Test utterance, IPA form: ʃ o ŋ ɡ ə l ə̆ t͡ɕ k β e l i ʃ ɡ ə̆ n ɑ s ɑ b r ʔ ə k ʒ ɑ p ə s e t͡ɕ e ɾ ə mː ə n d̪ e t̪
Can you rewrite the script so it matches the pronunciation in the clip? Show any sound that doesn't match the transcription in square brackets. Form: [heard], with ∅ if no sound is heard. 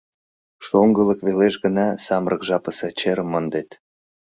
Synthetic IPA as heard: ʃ o ŋ ɡ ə l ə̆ [∅] k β e l [e] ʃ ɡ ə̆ n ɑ s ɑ [m] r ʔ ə k ʒ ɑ p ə s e t͡ɕ e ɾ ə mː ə n d̪ e t̪